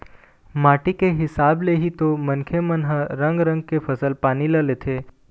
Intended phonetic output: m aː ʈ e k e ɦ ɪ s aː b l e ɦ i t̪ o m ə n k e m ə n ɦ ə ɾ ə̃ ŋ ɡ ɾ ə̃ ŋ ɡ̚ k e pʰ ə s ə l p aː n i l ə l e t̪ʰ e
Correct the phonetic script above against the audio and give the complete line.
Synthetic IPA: m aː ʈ i k e ɦ ɪ s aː b l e ɦ i t̪ o m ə n kʰ e m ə n ɦ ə ɾ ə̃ ŋ ɡ ɾ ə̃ ŋ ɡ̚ k e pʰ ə s ə l p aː n i l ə l e t̪ʰ e